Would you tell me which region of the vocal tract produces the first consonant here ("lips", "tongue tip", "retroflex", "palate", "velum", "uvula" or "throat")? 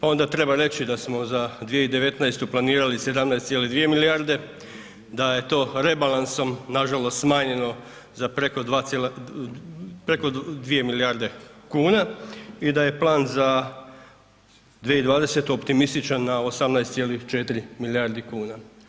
lips